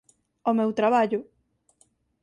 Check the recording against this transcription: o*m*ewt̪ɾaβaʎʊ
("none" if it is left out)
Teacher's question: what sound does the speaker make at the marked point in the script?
m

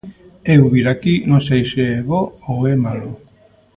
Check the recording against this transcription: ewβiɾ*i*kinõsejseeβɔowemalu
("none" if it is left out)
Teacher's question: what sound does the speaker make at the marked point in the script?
a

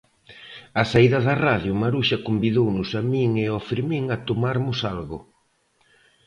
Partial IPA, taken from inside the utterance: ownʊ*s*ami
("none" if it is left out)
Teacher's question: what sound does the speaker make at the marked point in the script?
s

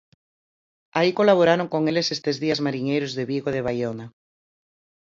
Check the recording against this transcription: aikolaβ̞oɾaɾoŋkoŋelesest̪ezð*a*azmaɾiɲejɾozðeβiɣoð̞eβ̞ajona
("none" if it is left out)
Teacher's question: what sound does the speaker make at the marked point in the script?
i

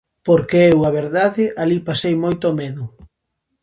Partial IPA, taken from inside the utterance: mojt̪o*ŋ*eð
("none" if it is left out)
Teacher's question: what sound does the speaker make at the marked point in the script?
m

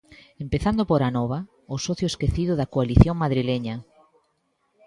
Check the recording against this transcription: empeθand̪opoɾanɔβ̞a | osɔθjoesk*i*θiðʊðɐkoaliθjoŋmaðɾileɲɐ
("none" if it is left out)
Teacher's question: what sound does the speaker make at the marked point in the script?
e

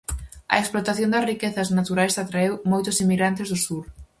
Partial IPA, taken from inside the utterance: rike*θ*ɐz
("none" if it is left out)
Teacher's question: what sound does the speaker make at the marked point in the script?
θ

